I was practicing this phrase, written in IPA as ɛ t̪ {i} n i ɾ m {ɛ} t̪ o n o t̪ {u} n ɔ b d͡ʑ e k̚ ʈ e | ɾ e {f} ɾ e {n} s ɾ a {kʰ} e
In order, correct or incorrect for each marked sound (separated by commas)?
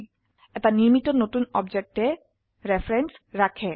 incorrect, incorrect, correct, correct, correct, correct